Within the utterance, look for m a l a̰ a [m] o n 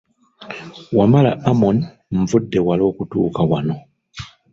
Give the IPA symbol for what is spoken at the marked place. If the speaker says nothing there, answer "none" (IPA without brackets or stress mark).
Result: m